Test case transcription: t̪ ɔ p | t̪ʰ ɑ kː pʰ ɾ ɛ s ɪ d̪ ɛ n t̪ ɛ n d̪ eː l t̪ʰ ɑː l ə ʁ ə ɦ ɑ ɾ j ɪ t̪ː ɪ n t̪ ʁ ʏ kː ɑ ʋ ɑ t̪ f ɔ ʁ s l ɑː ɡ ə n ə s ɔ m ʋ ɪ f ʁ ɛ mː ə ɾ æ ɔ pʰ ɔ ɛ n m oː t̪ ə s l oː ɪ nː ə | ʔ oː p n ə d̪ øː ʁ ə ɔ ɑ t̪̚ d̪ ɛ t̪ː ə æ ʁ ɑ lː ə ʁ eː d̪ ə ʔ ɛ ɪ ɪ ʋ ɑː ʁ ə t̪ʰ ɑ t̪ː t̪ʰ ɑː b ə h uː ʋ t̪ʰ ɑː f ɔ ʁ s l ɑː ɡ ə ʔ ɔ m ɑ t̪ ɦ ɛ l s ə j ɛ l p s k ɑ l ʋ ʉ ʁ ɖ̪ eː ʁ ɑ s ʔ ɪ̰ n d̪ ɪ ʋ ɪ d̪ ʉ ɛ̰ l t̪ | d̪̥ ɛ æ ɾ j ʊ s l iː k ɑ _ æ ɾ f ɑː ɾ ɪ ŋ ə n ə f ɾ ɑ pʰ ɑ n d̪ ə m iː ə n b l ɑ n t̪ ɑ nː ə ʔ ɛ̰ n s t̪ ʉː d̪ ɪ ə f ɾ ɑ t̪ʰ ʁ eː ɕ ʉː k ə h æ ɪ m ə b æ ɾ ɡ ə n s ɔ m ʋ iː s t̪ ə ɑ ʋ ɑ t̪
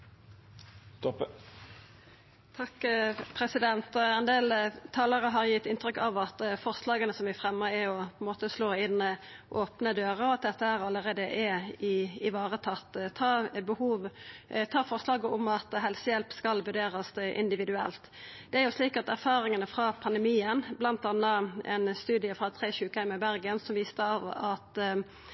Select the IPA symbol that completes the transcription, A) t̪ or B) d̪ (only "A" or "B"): A